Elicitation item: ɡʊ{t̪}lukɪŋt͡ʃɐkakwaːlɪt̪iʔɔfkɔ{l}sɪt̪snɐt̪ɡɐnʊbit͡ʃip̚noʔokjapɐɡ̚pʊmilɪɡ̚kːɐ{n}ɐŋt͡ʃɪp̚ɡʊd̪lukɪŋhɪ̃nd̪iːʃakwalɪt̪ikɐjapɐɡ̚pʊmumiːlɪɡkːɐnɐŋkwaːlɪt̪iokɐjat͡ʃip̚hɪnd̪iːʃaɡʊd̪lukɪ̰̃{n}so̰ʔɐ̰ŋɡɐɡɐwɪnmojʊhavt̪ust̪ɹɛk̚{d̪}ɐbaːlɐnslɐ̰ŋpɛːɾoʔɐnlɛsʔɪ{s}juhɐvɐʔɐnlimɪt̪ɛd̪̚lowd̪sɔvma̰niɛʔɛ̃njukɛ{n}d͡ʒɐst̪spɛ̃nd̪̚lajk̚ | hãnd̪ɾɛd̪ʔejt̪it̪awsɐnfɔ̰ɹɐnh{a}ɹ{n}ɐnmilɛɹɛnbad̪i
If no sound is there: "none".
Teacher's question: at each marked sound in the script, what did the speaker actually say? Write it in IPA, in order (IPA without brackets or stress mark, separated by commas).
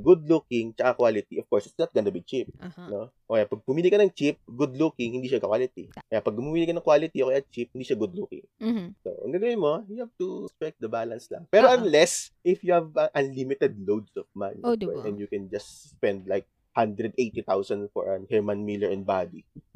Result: d̪, ɹ, n, ŋ, d̪, f, n, ɛ, m